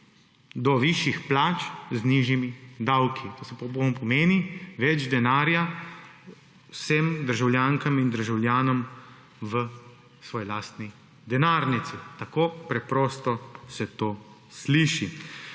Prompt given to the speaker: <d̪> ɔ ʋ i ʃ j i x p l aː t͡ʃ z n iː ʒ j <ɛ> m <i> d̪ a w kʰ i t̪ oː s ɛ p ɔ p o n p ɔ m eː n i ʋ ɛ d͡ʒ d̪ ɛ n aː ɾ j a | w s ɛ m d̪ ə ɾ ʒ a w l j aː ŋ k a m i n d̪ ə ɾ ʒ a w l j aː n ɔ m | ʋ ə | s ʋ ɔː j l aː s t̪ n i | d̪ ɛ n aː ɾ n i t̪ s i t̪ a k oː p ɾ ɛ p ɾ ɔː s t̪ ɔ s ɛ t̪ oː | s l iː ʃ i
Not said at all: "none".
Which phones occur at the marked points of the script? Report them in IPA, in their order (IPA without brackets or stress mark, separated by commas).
d̪, i, i